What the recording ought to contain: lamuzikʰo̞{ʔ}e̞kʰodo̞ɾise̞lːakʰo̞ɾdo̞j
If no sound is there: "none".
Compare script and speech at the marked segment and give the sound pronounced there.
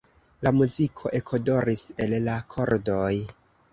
ʔ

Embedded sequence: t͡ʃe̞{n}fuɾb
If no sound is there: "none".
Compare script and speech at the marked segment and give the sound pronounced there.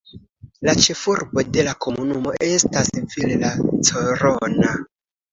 none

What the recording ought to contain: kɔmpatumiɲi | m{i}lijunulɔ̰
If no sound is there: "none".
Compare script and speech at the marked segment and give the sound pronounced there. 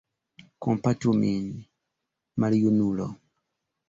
a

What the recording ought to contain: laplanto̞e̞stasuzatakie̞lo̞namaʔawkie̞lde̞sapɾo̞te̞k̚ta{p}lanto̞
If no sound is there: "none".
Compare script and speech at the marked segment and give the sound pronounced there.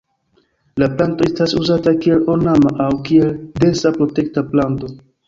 p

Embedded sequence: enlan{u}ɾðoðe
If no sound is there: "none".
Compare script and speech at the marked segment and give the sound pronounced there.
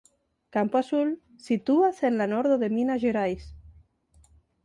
o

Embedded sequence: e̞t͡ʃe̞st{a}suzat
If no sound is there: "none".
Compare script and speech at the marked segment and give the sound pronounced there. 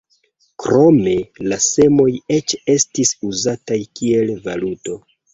i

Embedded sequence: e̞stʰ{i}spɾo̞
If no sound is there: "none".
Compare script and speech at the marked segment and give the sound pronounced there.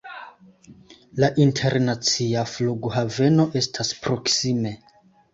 a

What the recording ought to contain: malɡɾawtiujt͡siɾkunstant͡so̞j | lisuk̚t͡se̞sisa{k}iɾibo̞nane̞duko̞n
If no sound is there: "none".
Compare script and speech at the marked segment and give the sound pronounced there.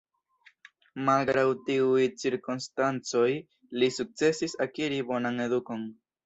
k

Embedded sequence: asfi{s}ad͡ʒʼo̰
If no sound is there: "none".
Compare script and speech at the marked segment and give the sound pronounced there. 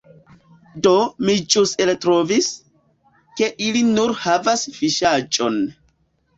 ʃ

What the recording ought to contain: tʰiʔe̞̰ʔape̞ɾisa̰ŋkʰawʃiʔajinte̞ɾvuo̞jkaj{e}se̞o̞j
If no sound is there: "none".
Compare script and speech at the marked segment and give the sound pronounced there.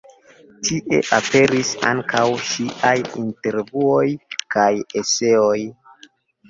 e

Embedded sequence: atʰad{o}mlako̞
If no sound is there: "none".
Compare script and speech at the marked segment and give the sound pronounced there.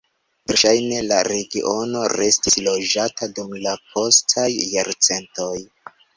u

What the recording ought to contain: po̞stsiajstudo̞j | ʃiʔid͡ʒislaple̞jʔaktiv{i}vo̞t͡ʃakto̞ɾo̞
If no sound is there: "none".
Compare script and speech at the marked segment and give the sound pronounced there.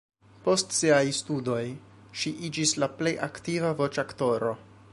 a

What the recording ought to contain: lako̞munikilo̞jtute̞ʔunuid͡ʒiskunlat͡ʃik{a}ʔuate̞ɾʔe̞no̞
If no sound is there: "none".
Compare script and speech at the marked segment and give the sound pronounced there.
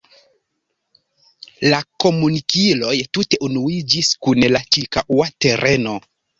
a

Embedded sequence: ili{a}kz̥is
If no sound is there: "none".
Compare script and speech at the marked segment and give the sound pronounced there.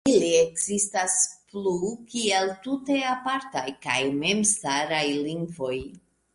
e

